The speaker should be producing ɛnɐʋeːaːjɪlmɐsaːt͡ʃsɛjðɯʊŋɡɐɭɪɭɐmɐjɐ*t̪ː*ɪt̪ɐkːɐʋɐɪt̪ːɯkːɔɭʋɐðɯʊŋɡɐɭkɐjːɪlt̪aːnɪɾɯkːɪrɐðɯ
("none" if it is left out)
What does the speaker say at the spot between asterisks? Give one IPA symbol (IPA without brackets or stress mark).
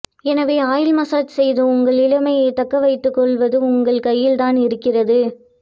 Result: none